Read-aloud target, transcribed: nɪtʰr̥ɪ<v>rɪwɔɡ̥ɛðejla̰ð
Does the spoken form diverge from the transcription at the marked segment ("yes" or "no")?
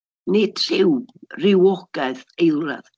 yes